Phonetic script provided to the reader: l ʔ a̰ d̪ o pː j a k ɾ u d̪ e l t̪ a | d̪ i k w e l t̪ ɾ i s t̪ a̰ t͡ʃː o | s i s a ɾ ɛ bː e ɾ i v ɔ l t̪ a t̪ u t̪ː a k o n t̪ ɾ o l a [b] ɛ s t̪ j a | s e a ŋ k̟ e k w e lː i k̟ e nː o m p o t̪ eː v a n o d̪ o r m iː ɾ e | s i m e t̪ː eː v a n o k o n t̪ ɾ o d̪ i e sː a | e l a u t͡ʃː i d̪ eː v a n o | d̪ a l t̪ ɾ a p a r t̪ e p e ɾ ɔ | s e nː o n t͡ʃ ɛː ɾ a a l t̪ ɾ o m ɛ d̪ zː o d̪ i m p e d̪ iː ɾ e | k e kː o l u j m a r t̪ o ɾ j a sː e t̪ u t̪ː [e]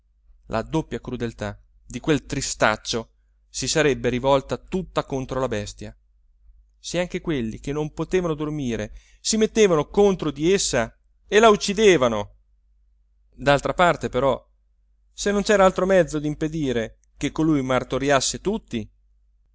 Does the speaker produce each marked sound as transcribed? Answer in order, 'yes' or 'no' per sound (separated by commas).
yes, no